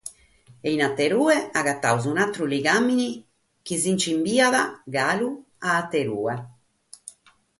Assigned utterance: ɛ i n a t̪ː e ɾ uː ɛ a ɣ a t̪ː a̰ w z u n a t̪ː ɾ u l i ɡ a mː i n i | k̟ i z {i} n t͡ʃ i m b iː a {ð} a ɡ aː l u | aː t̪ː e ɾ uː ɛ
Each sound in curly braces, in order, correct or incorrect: correct, correct

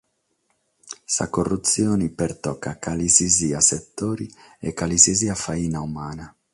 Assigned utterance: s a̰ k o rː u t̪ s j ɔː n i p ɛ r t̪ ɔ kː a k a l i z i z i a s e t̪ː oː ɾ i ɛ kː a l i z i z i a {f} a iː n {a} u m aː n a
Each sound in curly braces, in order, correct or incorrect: correct, correct

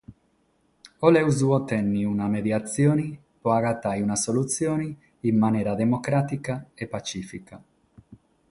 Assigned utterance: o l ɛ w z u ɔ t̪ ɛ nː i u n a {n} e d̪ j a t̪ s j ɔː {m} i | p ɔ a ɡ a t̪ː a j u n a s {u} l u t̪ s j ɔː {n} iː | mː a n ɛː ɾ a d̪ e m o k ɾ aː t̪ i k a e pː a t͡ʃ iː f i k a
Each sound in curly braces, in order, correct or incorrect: incorrect: m, incorrect: n, incorrect: o, correct

